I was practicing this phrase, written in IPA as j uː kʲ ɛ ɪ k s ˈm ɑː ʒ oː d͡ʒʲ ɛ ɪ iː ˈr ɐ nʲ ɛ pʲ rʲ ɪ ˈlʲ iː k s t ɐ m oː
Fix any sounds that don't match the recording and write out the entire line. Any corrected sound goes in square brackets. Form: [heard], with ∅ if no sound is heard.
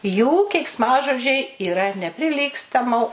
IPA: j uː kʲ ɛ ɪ k s ˈm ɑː ʒ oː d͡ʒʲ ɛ ɪ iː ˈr ɐ nʲ ɛ pʲ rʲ ɪ ˈlʲ iː k s t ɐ m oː